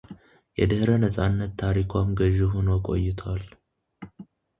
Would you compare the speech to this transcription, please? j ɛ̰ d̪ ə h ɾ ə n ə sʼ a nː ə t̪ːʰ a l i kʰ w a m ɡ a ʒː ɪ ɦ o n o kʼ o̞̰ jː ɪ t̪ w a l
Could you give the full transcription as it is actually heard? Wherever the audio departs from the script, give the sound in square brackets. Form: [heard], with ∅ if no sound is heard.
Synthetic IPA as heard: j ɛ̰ d̪ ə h ɾ ə n ə sʼ a nː ə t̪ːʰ a [ɾ] i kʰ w a m ɡ [ə] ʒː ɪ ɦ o n o kʼ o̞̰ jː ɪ [t̪ʰ] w a l